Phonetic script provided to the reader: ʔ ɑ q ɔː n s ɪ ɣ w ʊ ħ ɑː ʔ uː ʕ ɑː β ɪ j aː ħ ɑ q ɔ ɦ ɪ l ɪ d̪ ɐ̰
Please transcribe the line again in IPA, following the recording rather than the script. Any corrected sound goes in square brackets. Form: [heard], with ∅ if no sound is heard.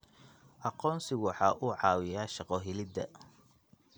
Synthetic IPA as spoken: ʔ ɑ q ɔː n s ɪ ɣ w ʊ ħ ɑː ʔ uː ʕ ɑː [w] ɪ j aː [ʃ] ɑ q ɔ ɦ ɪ l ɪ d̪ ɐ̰